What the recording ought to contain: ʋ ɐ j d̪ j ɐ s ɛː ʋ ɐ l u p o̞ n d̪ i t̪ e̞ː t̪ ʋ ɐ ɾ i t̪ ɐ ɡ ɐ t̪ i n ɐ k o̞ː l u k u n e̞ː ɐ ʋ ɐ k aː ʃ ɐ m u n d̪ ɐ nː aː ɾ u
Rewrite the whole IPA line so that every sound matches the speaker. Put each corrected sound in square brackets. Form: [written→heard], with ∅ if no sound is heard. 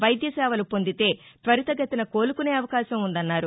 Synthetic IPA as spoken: ʋ ɐ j d̪ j ɐ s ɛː ʋ ɐ l u p o̞ n d̪ i t̪ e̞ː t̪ ʋ ɐ ɾ i t̪ ɐ ɡ ɐ t̪ i n ɐ k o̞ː l u k u n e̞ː ɐ ʋ ɐ k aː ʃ ɐ m u n d̪ ɐ nː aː ɾ u